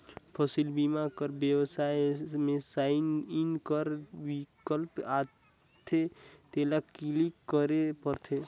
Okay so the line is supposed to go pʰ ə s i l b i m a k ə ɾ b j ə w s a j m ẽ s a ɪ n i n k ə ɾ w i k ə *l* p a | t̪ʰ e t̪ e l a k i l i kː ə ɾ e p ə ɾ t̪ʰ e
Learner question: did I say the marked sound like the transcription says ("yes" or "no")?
yes